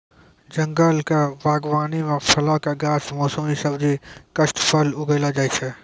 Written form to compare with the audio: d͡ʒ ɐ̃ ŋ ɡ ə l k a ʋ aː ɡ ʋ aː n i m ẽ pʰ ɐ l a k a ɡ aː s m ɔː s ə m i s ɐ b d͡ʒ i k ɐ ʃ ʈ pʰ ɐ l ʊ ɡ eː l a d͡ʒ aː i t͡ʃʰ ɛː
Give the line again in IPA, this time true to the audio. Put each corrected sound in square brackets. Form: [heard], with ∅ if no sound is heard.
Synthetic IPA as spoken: d͡ʒ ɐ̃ ŋ ɡ ə l k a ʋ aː ɡ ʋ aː n i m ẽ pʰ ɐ l a k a ɡ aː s m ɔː s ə m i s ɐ b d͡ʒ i k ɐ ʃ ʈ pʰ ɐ l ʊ ɡ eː l a d͡ʒ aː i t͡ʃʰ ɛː